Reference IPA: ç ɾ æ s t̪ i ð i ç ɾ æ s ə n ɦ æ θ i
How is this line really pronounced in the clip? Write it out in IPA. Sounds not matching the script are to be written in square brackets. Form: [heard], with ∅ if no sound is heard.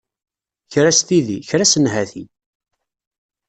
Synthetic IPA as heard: ç ɾ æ s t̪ i ð i ç ɾ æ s ə n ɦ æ θ i